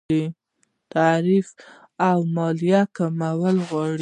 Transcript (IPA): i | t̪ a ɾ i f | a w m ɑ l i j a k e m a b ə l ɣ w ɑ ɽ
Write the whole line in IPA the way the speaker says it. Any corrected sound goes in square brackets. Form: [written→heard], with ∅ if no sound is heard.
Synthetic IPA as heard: i | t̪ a ɾ i f | a w m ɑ l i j a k [e→a] m a [b→w] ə l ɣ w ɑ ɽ

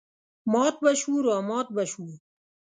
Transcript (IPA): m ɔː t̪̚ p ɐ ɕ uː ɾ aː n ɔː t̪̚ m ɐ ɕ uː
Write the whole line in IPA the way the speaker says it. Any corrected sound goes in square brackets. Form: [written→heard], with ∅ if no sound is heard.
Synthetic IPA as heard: m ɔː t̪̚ [p→b] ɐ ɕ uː ɾ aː [n→m] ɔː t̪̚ [m→b] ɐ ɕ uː

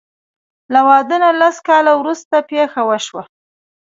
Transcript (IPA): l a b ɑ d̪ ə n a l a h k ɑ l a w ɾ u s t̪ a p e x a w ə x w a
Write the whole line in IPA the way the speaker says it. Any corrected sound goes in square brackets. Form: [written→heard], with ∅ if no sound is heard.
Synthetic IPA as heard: l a [b→w] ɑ d̪ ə n a l a [h→s] k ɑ l a w ɾ u s t̪ a p e x a w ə [x→ʃ] w a

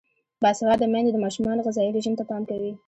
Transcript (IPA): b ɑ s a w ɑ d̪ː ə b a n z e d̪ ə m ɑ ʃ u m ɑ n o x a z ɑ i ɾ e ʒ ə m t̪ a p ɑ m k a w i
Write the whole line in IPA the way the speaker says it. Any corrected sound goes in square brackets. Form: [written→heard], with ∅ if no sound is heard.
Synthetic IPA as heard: b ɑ s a w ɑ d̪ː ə [b→m] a n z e d̪ ə m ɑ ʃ u m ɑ n o [x→ɣ] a z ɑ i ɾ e ʒ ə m t̪ a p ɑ m k a w i

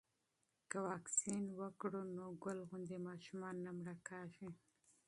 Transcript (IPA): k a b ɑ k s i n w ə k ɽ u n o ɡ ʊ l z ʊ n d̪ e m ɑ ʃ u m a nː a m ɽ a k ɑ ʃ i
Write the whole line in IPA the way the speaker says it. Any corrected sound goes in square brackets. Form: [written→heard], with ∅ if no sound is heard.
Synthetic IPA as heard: k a [b→w] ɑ k s i n w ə k ɽ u n o ɡ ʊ l [z→ɣ] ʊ n d̪ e m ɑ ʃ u m [a→ɑ] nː a m ɽ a k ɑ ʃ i

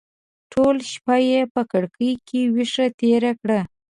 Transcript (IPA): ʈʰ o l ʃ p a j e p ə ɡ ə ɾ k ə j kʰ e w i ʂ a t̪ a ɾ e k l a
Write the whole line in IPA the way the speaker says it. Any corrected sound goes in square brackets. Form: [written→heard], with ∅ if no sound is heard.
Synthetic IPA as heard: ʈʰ o l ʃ p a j e p ə [ɡ→k] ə [ɾ→ɽ] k ə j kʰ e w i ʂ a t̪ [a→e] ɾ [e→a] k [l→ɽ] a

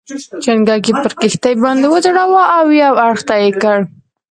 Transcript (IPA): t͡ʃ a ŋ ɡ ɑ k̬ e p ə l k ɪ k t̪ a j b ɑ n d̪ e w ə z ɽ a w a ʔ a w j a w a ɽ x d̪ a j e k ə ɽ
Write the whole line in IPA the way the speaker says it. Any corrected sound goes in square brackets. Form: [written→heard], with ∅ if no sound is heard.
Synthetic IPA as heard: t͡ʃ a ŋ ɡ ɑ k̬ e p ə [l→ɾ] k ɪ [k→x] t̪ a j b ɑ n d̪ e w ə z ɽ a w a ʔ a w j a w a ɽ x [d̪→t̪] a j e k ə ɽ

